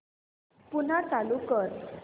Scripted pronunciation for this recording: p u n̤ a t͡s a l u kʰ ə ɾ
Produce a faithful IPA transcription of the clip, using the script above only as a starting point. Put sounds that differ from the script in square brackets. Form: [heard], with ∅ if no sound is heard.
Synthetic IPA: p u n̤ a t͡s a l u [k] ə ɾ